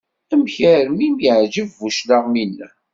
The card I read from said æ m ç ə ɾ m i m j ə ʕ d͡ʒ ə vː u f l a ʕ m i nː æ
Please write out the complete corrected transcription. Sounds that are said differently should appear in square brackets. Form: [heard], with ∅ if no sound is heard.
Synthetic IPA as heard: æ m ç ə ɾ m i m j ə ʕ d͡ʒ ə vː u [ʃ] l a [ʁ] m i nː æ